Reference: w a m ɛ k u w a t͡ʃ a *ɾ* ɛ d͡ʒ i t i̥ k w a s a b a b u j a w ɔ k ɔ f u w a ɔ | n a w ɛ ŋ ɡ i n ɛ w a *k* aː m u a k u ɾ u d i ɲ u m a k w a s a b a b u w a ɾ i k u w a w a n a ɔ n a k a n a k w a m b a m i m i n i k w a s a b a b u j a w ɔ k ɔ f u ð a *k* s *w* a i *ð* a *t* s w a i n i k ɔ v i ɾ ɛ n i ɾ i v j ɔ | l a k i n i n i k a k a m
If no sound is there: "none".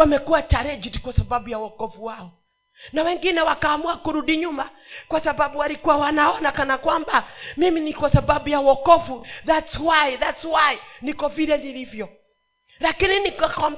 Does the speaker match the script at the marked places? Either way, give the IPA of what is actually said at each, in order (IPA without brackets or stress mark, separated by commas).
ɾ, k, t, w, ð, t